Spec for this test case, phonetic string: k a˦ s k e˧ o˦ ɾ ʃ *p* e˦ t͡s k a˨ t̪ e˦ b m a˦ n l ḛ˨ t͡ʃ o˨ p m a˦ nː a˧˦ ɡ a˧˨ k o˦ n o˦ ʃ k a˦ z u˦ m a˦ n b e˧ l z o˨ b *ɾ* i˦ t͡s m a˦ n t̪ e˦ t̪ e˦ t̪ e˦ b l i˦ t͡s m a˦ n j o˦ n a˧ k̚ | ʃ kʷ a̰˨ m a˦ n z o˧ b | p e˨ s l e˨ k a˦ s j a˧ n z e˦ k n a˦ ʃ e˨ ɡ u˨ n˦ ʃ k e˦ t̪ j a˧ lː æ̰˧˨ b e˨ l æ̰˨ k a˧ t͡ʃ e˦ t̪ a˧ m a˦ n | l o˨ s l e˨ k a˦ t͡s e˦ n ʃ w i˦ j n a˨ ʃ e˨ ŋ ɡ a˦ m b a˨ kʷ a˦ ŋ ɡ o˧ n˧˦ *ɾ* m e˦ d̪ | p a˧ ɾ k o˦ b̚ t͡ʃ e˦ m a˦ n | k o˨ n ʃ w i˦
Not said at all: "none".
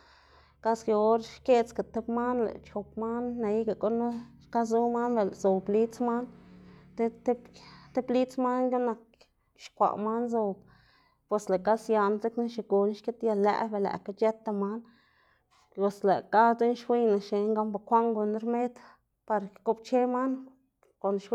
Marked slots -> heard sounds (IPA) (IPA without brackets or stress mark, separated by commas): k, l, ɾ